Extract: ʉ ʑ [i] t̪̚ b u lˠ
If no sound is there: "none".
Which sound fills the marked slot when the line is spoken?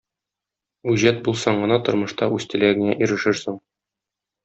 æ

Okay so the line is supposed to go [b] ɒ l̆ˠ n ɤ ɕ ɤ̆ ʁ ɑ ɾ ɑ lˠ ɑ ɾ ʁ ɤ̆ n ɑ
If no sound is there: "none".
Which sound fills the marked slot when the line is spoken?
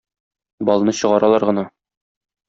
b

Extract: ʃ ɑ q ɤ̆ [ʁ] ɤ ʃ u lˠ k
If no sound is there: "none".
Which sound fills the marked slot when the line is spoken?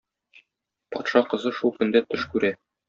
z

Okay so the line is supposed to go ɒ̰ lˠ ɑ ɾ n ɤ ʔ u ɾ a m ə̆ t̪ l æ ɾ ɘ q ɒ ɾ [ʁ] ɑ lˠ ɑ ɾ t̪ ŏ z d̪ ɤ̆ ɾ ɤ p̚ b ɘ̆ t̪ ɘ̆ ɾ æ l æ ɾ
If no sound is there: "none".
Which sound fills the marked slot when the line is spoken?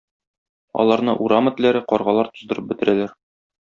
ʁ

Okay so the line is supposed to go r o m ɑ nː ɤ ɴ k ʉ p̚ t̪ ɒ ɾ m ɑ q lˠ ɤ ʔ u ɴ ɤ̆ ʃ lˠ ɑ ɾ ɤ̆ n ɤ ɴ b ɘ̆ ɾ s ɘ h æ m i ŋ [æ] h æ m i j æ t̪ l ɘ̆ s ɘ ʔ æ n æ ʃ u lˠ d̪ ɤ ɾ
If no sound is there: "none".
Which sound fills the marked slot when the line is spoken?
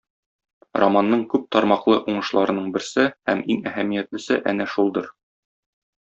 æ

